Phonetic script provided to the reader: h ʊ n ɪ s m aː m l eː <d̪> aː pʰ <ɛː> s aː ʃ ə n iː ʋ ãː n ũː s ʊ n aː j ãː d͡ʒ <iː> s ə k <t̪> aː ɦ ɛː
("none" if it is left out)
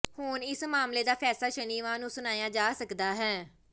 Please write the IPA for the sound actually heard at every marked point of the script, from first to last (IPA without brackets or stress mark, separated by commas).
d̪, ɛː, aː, d̪